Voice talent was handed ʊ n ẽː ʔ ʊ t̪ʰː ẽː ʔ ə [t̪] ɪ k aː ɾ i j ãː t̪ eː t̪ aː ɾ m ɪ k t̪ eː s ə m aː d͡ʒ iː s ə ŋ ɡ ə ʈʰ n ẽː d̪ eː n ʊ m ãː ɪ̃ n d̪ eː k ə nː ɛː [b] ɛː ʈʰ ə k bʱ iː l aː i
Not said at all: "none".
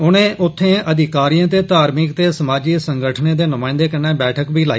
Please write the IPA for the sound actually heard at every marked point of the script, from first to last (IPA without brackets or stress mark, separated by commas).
d̪, b